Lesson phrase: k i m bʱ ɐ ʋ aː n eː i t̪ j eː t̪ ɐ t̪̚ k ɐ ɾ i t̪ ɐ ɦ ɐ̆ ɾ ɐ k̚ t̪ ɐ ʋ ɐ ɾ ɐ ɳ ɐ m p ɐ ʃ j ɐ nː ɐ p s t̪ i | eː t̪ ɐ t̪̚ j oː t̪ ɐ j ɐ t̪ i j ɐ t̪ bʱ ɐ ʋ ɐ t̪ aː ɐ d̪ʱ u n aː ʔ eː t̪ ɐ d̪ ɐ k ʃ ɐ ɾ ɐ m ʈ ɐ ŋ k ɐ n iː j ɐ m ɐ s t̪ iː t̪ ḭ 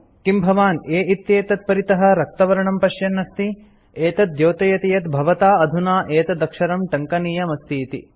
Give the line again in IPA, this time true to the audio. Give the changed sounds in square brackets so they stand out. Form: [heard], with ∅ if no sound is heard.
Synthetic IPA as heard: k i m bʱ ɐ ʋ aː n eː i t̪ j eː t̪ ɐ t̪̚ [p] ɐ ɾ i t̪ ɐ ɦ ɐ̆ ɾ ɐ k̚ t̪ ɐ ʋ ɐ ɾ ɐ ɳ ɐ m p ɐ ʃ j ɐ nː ɐ [∅] s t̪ i | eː t̪ ɐ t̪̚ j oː t̪ ɐ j ɐ t̪ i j ɐ t̪ bʱ ɐ ʋ ɐ t̪ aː ɐ d̪ʱ u n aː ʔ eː t̪ ɐ d̪ ɐ k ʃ ɐ ɾ ɐ m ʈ ɐ ŋ k ɐ n iː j ɐ m ɐ s t̪ iː t̪ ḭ